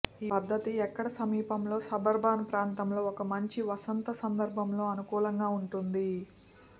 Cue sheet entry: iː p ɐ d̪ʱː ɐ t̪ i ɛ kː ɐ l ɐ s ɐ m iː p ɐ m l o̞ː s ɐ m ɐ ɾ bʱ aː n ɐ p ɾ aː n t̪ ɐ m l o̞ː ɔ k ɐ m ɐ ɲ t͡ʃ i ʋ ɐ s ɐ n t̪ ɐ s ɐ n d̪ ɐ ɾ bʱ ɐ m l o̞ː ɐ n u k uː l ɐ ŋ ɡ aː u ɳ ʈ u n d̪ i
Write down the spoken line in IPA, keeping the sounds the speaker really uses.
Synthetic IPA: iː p ɐ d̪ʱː ɐ t̪ i ɛ kː ɐ ɽ ɐ s ɐ m iː p ɐ m l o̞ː s ɐ b ɐ ɾ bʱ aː n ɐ p ɾ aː n t̪ ɐ m l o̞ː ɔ k ɐ m ɐ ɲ t͡ʃ i ʋ ɐ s ɐ n t̪ ɐ s ɐ n d̪ ɐ ɾ bʱ ɐ m l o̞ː ɐ n u k uː l ɐ ŋ ɡ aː u ɳ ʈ u n d̪ i

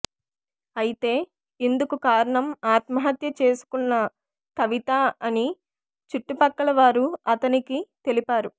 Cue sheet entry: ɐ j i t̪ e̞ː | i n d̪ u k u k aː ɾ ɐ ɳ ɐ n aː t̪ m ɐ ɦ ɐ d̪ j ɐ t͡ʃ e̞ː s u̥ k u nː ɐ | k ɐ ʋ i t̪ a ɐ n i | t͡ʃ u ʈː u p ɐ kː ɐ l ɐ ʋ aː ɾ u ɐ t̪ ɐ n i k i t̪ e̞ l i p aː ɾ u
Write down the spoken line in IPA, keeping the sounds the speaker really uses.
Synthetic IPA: ɐ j i t̪ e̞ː | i n d̪ u k u k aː ɾ ɐ ɳ ɐ m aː t̪ m ɐ ɦ ɐ t̪ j ɐ t͡ʃ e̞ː s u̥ k u nː ɐ | k ɐ ʋ i t̪ a ɐ n i | t͡ʃ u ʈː u p ɐ kː ɐ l ɐ ʋ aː ɾ u ɐ t̪ ɐ n i k i t̪ e̞ l i p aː ɾ u

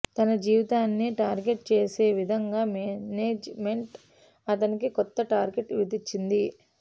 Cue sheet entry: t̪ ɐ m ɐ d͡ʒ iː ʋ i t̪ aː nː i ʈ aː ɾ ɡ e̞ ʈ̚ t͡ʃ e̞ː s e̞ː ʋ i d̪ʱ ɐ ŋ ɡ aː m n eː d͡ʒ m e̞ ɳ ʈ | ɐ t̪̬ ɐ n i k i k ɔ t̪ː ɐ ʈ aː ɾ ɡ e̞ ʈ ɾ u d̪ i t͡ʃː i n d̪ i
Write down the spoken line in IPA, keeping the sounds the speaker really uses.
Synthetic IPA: t̪ ɐ n ɐ d͡ʒ iː ʋ i t̪ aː nː i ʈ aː ɾ ɡ e̞ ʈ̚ t͡ʃ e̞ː s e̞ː ʋ i d̪ʱ ɐ ŋ ɡ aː m n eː d͡ʒ m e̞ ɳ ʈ | ɐ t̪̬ ɐ n i k i k ɔ t̪ː ɐ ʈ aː ɾ ɡ e̞ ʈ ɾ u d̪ i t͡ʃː i n d̪ i

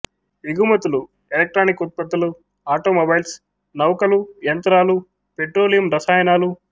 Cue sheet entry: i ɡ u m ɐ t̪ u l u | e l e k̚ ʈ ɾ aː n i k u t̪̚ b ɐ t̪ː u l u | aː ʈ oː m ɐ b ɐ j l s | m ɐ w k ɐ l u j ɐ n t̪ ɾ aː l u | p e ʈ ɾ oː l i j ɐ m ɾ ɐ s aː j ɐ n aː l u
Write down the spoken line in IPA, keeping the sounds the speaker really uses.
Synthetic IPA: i ɡ u m ɐ t̪ u l u | e l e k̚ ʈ ɾ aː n i k u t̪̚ p ɐ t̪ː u l u | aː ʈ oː m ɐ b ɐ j l s | n ɐ w k ɐ l u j ɐ n t̪ ɾ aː l u | p e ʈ ɾ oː l i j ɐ m ɾ ɐ s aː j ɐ n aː l u

